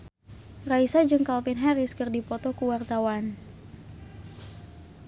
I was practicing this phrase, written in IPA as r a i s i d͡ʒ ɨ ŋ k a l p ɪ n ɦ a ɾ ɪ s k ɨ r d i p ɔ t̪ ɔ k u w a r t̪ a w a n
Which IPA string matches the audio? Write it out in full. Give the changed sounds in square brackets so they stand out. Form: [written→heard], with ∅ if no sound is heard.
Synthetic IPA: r a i s [i→a] d͡ʒ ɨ ŋ k a l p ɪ n ɦ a ɾ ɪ s k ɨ r d i p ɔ t̪ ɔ k u w a r t̪ a w a n

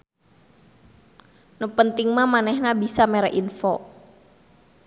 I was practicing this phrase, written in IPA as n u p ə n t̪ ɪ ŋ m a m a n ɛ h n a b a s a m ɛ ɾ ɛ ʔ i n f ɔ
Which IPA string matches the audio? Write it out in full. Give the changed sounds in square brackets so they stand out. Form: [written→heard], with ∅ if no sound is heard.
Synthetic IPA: n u p ə n t̪ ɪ ŋ m a m a n ɛ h n a b [a→i] s a m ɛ ɾ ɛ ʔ i n f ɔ

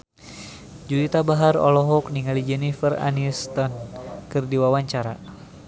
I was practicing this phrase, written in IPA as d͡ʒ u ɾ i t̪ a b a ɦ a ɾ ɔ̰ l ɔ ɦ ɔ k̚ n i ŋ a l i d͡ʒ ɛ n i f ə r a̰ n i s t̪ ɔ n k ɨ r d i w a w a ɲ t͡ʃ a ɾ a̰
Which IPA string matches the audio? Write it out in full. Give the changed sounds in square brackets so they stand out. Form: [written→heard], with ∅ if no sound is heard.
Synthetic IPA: d͡ʒ u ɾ i t̪ a b a ɦ a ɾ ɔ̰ l ɔ ɦ ɔ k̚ n i ŋ a l i d͡ʒ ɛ n i f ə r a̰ n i s t̪ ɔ n k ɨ r d i w a w a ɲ t͡ʃ a ɾ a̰

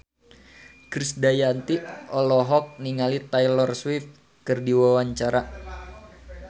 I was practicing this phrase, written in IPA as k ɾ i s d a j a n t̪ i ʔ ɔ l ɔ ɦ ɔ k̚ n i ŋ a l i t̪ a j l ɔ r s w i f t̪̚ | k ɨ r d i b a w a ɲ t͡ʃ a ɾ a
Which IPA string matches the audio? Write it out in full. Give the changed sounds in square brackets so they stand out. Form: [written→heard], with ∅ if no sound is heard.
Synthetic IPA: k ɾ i s d a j a n t̪ i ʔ ɔ l ɔ ɦ ɔ k̚ n i ŋ a l i t̪ a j l ɔ r s w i f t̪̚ | k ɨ r d i [b→w] a w a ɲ t͡ʃ a ɾ a

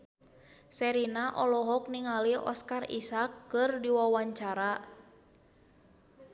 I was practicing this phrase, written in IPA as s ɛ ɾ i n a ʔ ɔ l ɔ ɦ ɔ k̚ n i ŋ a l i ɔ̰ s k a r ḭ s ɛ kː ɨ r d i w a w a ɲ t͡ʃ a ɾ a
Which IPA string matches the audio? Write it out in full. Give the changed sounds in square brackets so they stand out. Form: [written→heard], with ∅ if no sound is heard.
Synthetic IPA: s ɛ ɾ i n a ʔ ɔ l ɔ ɦ ɔ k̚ n i ŋ a l i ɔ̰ s k a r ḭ s [ɛ→a] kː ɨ r d i w a w a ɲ t͡ʃ a ɾ a

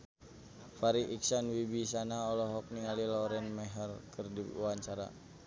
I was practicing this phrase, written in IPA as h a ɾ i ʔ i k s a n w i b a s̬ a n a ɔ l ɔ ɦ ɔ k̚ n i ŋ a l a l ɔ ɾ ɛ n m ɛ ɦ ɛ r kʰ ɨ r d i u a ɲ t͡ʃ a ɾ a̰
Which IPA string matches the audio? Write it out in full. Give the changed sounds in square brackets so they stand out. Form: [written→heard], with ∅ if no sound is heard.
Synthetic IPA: [h→f] a ɾ i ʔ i k s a n w i b [a→i] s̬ a n a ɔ l ɔ ɦ ɔ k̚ n i ŋ a l [a→i] l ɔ ɾ ɛ n m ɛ ɦ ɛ r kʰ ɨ r d i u a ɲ t͡ʃ a ɾ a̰

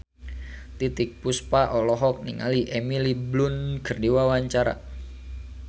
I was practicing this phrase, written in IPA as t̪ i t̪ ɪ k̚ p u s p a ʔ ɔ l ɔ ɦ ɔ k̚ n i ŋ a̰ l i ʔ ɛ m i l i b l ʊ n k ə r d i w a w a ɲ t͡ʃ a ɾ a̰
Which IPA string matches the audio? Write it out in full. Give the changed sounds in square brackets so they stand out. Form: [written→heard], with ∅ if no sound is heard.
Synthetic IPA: t̪ i t̪ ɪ k̚ p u s p a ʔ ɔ l ɔ ɦ ɔ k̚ n i ŋ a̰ l i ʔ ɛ m i l i b l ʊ n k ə r d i w a w a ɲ t͡ʃ a ɾ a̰

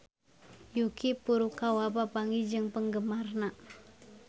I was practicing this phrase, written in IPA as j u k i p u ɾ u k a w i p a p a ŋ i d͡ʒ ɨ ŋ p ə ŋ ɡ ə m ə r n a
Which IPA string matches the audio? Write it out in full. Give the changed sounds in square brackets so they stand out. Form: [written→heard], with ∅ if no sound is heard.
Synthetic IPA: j u k i p u ɾ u k a w [i→a] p a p a ŋ i d͡ʒ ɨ ŋ p ə ŋ ɡ ə m [ə→a] r n a

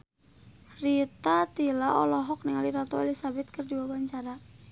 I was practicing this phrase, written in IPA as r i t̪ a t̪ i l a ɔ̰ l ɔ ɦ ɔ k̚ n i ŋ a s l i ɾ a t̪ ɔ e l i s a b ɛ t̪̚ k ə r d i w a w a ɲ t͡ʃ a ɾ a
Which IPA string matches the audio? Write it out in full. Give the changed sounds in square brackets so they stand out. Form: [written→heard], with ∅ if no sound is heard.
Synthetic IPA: r i t̪ a t̪ i l a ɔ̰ l ɔ ɦ ɔ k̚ n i ŋ a [s→∅] l i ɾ a t̪ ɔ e l i s a b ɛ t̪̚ k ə r d i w a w a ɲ t͡ʃ a ɾ a

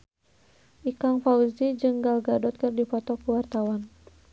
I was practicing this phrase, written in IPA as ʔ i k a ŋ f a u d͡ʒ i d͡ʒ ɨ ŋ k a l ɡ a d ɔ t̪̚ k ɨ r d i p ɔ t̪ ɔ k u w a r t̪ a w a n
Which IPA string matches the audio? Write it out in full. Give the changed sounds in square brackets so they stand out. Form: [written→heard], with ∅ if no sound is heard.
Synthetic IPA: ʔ i k a ŋ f a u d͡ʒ i d͡ʒ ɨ ŋ [k→ɡ] a l ɡ a d ɔ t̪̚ k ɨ r d i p ɔ t̪ ɔ k u w a r t̪ a w a n

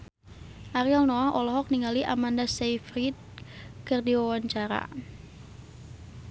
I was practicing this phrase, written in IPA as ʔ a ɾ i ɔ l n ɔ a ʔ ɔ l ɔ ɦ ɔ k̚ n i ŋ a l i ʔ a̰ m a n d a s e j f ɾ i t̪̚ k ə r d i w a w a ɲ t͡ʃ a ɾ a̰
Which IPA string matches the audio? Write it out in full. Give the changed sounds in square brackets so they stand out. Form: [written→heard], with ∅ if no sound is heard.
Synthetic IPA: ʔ a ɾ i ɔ l n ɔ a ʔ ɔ l ɔ ɦ ɔ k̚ n i ŋ a l i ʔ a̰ m a n d a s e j f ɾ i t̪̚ k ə r d i w a w a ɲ t͡ʃ a ɾ a̰

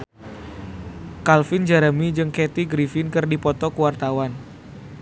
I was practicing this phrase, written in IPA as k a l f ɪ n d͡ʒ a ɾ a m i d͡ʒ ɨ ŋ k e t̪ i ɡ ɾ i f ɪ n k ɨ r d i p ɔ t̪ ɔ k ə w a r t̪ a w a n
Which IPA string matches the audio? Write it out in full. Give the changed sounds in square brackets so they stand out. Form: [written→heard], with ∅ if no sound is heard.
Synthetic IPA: k a l f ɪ n d͡ʒ a ɾ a m i d͡ʒ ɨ ŋ k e t̪ i ɡ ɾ i f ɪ n k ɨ r d i p ɔ t̪ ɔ k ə w a r t̪ a w a n

